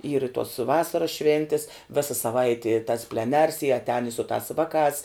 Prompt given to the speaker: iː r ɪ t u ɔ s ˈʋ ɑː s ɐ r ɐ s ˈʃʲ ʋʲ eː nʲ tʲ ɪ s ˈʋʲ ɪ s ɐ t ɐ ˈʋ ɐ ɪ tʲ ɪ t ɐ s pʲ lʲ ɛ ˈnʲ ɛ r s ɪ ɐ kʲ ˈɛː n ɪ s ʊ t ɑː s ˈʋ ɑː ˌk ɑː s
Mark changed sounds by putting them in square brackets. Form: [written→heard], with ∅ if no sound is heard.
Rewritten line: iː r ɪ t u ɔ s ˈʋ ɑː s ɐ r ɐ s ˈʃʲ ʋʲ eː nʲ tʲ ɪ s ˈʋʲ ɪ s ɐ [t→s] ɐ ˈʋ ɐ ɪ tʲ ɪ t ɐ s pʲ lʲ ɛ ˈnʲ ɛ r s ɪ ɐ [kʲ→tʲ] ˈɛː n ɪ s ʊ t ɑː s ˈʋ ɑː ˌk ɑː s